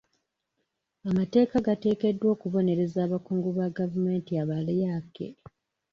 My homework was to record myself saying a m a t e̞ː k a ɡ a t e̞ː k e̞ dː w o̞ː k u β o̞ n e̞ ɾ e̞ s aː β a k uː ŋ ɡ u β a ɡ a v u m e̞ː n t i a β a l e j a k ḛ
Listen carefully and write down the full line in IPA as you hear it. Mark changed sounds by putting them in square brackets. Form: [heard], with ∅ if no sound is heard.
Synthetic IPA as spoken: a m a t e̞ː k a ɡ a t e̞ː k e̞ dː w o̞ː k u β o̞ n e̞ ɾ e̞ [z] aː β a k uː ŋ ɡ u β a ɡ a v u m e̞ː n t i a β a l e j a k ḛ